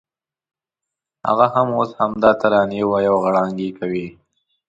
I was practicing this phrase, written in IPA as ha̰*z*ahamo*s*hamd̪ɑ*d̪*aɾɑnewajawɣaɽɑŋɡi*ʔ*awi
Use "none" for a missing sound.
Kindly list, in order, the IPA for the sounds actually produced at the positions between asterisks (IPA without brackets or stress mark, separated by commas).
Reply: ɣ, s, t̪, k